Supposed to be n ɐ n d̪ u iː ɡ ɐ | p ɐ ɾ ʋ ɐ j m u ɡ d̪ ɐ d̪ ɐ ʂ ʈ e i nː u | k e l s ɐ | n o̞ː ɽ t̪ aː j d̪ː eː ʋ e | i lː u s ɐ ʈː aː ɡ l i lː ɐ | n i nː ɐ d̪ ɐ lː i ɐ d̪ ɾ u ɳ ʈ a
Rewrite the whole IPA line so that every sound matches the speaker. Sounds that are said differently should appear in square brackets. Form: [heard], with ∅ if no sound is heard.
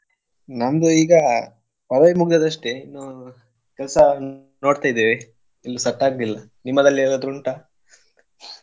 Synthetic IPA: n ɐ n d̪ u iː ɡ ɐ | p ɐ ɾ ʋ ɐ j m u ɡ d̪ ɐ d̪ ɐ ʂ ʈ e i nː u | k [ɛ] l s ɐ | n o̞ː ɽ t̪ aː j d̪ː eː ʋ e | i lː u s ɐ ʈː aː ɡ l i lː ɐ | n i [mː] ɐ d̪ ɐ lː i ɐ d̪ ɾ u ɳ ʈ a

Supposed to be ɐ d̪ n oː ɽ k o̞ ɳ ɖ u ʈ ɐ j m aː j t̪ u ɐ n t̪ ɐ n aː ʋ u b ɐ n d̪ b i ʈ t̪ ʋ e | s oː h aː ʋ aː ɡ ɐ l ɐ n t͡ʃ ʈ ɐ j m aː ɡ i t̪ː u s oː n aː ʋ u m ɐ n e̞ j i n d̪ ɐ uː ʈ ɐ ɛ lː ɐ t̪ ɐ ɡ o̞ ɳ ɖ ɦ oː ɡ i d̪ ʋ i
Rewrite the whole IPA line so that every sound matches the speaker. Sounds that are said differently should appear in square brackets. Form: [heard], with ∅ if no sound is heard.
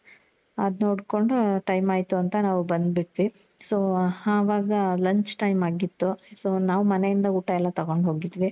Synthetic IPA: ɐ d̪ n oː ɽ k o̞ ɳ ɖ u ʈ ɐ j m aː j t̪ u ɐ n t̪ ɐ n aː ʋ u b ɐ n d̪ b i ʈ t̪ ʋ [i] | s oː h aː ʋ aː ɡ ɐ l ɐ [ɲ] t͡ʃ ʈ ɐ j m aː ɡ i t̪ː u s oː n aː ʋ u m ɐ n e̞ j i n d̪ ɐ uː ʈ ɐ ɛ lː ɐ t̪ ɐ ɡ o̞ ɳ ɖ ɦ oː ɡ i d̪ ʋ i

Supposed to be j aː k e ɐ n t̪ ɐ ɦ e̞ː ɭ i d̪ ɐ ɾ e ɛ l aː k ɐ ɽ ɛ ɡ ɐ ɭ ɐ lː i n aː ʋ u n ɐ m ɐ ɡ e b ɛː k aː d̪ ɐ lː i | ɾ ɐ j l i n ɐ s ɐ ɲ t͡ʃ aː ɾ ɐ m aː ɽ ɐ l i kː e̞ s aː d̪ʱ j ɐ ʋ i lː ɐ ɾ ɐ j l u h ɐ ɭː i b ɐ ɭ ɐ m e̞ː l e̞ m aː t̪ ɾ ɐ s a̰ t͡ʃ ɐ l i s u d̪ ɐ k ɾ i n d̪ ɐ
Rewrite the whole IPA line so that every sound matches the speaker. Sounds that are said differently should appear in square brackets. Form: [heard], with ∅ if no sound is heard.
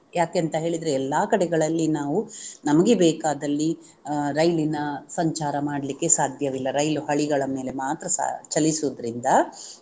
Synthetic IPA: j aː k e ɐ n t̪ ɐ ɦ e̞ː ɭ i d̪ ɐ ɾ e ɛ [lː] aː k ɐ ɽ ɛ ɡ ɐ ɭ ɐ lː i n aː ʋ u n ɐ m ɐ ɡ e b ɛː k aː d̪ ɐ lː i | ɾ ɐ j l i n ɐ s ɐ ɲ t͡ʃ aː ɾ ɐ m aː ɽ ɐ l i kː e̞ s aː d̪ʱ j ɐ ʋ i lː ɐ ɾ ɐ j l u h ɐ [ɭ] i [ɡ] ɐ ɭ ɐ m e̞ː l e̞ m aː t̪ ɾ ɐ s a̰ t͡ʃ ɐ l i s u d̪ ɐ [∅] ɾ i n d̪ ɐ

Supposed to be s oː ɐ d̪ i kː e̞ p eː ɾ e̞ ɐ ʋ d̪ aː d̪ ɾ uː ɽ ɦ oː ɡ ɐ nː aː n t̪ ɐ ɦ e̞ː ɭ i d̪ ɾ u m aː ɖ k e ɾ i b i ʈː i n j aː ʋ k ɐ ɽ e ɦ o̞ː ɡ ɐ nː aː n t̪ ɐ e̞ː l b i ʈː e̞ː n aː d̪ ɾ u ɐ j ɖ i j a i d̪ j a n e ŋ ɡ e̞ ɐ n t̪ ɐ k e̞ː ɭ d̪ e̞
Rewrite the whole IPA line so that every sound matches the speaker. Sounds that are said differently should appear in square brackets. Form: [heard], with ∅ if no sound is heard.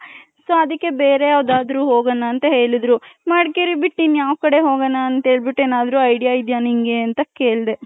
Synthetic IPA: s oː ɐ d̪ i kː e̞ [b] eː ɾ e̞ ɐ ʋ d̪ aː d̪ ɾ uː [∅] ɦ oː ɡ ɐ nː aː n t̪ ɐ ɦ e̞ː ɭ i d̪ ɾ u m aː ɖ k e ɾ i b i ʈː i n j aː ʋ k ɐ ɽ e ɦ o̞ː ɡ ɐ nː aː n t̪ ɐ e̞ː [ɭ] b i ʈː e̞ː n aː d̪ ɾ u ɐ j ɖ i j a i d̪ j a n [i] ŋ ɡ e̞ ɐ n t̪ ɐ k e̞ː ɭ d̪ e̞

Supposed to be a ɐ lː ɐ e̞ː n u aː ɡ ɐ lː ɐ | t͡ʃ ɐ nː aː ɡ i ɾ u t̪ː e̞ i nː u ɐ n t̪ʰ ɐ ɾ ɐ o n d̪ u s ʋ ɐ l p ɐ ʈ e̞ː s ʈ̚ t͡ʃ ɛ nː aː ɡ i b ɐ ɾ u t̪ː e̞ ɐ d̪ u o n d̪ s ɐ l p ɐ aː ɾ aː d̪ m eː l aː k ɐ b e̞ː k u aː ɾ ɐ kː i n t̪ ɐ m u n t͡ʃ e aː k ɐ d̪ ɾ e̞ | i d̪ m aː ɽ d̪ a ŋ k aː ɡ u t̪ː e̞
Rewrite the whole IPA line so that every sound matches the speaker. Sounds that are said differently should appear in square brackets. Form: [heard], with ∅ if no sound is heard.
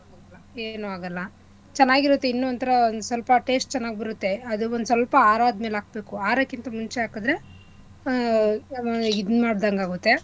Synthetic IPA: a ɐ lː ɐ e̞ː n u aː ɡ ɐ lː ɐ | t͡ʃ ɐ nː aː ɡ i ɾ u t̪ː e̞ i nː u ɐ n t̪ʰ ɐ ɾ ɐ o n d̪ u s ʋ ɐ l p ɐ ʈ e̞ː s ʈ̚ t͡ʃ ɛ nː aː ɡ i b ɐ ɾ u t̪ː e̞ ɐ d̪ u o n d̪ s ɐ l p ɐ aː ɾ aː d̪ m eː l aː k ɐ b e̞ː k u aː ɾ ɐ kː i n t̪ ɐ m u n t͡ʃ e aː k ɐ d̪ ɾ e̞ | i d̪ m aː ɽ d̪ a ŋ [ɡ] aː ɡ u t̪ː e̞

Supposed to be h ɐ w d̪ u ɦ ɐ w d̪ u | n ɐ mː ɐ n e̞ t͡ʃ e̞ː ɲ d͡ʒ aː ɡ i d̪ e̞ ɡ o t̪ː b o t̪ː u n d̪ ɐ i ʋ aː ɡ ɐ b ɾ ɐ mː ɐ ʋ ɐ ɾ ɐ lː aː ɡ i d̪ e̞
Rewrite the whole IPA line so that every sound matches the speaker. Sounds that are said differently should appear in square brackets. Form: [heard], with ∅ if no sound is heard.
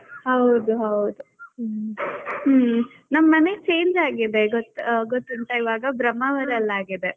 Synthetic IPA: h ɐ w d̪ u ɦ ɐ w d̪ u | n ɐ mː ɐ n e̞ t͡ʃ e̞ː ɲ d͡ʒ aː ɡ i d̪ e̞ ɡ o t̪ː [ɡ] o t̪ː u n [t̪] ɐ i ʋ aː ɡ ɐ b ɾ ɐ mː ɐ ʋ ɐ ɾ ɐ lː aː ɡ i d̪ e̞

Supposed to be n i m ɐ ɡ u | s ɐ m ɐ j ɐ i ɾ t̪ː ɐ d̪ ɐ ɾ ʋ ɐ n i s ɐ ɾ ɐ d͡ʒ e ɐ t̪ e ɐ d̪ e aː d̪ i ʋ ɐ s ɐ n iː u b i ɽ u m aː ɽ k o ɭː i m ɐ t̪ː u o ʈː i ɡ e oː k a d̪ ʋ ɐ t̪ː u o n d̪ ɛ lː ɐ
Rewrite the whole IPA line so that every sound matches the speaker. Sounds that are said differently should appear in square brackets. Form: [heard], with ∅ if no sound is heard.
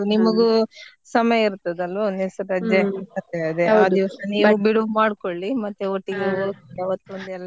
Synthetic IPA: n i m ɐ ɡ u | s ɐ m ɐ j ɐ i ɾ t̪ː ɐ d̪ ɐ [l] ʋ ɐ n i s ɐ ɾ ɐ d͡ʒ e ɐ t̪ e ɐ d̪ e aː d̪ i ʋ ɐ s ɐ n iː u b i ɽ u m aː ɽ k o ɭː i m ɐ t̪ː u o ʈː i ɡ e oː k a [∅] ʋ ɐ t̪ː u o n d̪ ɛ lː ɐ

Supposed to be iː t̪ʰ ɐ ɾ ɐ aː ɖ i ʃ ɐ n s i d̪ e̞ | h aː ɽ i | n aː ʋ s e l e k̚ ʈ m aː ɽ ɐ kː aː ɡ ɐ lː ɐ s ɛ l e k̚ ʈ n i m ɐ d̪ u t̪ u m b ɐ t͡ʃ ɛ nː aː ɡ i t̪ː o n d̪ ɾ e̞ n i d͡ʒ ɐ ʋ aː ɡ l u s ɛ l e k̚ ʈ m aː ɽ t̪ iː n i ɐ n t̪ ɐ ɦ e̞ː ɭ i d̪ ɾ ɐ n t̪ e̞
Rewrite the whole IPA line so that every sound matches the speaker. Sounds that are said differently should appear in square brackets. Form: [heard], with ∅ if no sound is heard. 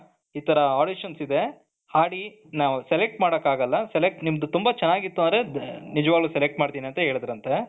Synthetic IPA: iː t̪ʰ ɐ ɾ ɐ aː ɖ i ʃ ɐ n s i d̪ e̞ | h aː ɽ i | n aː ʋ s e l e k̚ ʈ m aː ɽ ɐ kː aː ɡ ɐ lː ɐ s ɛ l e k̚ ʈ n i m ɐ d̪ u t̪ u m b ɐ t͡ʃ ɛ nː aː ɡ i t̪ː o n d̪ ɾ e̞ n i d͡ʒ ɐ ʋ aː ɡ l u s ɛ l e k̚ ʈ m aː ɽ t̪ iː n i ɐ n t̪ ɐ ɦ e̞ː ɭ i d̪ ɾ ɐ n t̪ e̞

